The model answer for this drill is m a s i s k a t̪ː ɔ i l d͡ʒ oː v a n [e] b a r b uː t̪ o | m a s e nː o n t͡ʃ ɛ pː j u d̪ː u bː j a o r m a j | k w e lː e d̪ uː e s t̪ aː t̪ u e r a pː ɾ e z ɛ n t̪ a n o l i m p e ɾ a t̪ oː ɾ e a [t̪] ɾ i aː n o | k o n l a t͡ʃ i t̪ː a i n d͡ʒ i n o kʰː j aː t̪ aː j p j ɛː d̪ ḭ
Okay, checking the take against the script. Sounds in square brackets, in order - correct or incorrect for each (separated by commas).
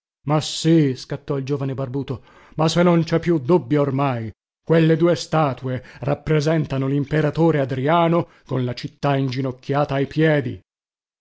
correct, incorrect